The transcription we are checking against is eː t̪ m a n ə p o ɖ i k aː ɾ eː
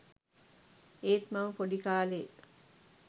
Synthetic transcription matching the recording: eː t̪ m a m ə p o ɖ i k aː l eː